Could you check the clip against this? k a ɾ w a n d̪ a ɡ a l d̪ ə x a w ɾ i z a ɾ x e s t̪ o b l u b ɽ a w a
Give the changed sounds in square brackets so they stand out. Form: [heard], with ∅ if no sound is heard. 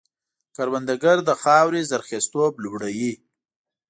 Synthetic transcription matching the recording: k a ɾ w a n d̪ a ɡ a [ɾ] d̪ ə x [ɑ] w ɾ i z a ɾ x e s t̪ o b l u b ɽ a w [i]